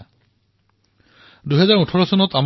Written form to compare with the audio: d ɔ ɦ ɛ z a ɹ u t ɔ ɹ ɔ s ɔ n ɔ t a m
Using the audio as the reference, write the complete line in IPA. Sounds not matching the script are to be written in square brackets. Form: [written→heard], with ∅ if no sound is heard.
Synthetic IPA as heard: d [ɔ→u] ɦ ɛ z a ɹ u [t→tʰ] ɔ ɹ ɔ s ɔ n ɔ t a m